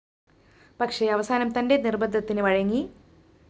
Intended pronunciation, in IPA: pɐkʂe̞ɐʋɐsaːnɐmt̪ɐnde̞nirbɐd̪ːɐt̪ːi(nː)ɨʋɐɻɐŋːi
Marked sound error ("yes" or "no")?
yes